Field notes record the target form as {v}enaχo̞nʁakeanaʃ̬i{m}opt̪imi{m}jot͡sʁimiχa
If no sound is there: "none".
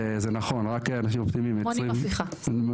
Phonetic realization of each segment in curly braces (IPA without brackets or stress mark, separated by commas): z, m, m